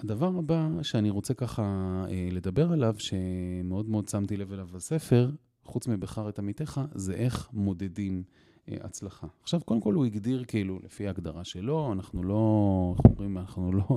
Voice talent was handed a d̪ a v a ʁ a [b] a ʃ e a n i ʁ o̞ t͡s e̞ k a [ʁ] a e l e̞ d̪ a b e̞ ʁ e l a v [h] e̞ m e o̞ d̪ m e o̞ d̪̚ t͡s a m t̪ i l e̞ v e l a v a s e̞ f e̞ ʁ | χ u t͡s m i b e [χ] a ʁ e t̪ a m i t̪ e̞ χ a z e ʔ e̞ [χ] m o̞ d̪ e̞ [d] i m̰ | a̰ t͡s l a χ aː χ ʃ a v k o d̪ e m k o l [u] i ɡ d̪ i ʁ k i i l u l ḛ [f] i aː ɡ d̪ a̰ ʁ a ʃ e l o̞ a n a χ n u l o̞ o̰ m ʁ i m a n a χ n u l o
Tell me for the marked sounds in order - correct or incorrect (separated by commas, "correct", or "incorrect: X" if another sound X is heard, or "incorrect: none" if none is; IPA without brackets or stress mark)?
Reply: correct, incorrect: χ, incorrect: ʃ, correct, correct, correct, correct, correct